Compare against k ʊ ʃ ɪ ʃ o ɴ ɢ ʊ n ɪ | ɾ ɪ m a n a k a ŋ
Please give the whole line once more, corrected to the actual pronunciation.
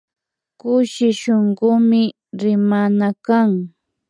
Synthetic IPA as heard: k ʊ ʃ ɪ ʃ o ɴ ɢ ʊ m ɪ | ɾ ɪ m a n a k a ŋ